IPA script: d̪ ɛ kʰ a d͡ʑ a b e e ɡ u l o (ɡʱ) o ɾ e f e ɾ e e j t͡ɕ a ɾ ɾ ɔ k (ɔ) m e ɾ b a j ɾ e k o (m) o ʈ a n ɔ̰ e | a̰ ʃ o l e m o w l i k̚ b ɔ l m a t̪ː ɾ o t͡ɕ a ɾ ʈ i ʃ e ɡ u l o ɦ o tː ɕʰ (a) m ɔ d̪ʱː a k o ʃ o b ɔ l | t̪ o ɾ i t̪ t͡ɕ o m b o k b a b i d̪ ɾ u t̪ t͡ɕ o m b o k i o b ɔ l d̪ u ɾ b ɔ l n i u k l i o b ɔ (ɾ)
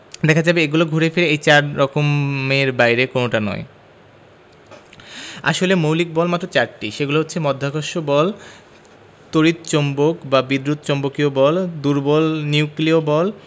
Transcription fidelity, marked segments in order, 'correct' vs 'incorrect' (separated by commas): correct, incorrect, incorrect, incorrect, incorrect